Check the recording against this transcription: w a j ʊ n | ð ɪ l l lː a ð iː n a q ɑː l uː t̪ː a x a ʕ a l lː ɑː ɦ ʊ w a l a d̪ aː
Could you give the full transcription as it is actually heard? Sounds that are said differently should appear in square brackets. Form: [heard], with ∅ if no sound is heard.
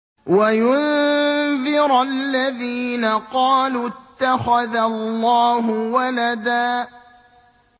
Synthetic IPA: w a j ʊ n | ð ɪ [ɾ] l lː a ð iː n a q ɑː l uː t̪ː a x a [ð] a l lː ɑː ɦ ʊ w a l a d̪ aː